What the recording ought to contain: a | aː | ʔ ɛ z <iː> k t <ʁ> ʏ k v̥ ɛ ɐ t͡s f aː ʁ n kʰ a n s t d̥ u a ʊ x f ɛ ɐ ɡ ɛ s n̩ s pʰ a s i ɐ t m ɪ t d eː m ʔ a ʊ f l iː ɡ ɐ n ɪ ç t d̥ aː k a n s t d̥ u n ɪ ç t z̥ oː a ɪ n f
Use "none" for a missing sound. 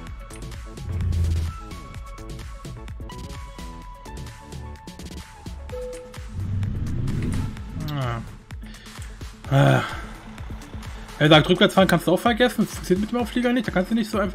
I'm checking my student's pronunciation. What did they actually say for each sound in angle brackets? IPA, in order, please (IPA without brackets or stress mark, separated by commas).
aː, ʁ